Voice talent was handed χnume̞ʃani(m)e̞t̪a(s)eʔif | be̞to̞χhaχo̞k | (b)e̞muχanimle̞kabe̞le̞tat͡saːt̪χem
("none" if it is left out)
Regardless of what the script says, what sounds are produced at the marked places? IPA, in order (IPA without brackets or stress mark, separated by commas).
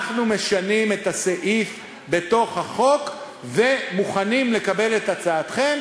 m, s, v